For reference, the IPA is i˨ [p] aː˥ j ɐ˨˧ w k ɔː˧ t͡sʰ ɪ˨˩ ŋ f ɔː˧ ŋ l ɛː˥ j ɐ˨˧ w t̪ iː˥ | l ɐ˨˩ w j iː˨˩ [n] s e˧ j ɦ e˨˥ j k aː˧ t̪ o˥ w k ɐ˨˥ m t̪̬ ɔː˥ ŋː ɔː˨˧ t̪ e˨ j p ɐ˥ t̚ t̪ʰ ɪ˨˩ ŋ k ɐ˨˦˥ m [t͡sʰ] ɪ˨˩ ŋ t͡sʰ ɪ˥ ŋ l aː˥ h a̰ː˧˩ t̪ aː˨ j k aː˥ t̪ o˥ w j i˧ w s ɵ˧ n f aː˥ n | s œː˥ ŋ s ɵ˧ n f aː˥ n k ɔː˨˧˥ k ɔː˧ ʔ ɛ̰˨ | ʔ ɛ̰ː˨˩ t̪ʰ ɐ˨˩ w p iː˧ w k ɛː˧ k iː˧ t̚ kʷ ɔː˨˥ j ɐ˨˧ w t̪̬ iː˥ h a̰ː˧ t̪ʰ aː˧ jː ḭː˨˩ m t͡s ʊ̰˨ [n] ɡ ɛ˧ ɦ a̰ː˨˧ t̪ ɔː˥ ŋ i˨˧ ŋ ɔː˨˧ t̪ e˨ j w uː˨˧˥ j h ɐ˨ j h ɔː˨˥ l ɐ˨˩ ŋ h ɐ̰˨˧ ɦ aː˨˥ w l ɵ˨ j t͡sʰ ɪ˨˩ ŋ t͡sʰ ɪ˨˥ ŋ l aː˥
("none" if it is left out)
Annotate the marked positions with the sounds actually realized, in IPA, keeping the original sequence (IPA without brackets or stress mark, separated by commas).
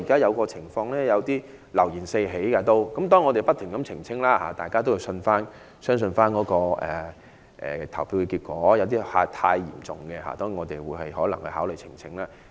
k, n, t͡sʰ, ŋ